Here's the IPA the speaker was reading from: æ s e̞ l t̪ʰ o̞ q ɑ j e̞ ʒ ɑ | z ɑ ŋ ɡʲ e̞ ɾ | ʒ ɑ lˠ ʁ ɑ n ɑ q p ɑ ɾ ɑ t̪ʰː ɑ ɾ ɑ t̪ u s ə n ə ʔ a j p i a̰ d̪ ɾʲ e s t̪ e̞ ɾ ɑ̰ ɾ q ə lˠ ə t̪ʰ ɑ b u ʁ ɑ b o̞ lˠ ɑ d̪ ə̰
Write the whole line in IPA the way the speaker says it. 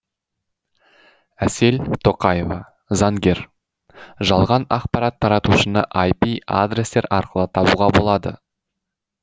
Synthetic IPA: æ s e̞ l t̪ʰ o̞ q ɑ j e̞ v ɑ | z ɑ ŋ ɡʲ e̞ ɾ | ʒ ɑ lˠ ʁ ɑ n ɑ q p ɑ ɾ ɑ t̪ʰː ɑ ɾ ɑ t̪ u ʃ ə n ə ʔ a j p i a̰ d̪ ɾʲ e s t̪ e̞ ɾ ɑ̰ ɾ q ə lˠ ə t̪ʰ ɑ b u ʁ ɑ b o̞ lˠ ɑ d̪ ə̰